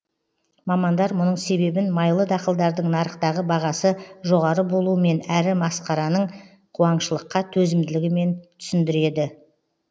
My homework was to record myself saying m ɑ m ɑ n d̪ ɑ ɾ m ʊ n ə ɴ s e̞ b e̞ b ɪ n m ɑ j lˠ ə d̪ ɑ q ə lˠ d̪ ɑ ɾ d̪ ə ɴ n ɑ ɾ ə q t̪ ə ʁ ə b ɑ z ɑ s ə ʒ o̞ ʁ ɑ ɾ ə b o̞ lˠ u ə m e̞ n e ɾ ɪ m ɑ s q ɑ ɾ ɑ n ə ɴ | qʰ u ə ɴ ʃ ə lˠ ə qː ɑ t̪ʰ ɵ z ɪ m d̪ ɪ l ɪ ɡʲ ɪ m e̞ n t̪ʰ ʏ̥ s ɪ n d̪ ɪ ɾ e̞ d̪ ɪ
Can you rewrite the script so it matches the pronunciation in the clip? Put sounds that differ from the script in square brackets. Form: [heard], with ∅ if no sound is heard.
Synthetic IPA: m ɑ m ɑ n d̪ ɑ ɾ m ʊ n ə ɴ s e̞ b e̞ b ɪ n m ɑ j lˠ ə d̪ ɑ q ə lˠ d̪ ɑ ɾ d̪ ə ɴ n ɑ ɾ ə q t̪ [ɑ] ʁ ə b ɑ [ʁ] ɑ s ə ʒ o̞ ʁ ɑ ɾ ə b o̞ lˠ u ə m e̞ n [æ] ɾ ɪ m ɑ s q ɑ ɾ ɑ n ə ɴ | qʰ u [ɑ] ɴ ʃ ə lˠ ə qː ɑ t̪ʰ ɵ z ɪ m d̪ ɪ l ɪ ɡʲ ɪ m e̞ n t̪ʰ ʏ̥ s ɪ n d̪ ɪ ɾ e̞ d̪ ɪ